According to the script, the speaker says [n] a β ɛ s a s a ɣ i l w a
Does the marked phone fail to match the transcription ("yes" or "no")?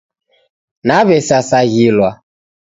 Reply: no